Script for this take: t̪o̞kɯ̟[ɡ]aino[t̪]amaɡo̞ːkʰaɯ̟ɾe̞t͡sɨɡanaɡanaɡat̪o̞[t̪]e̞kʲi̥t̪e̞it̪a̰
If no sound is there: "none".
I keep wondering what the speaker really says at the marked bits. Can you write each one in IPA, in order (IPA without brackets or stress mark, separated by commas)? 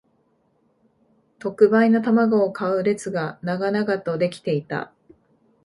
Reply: b, t̪, d̪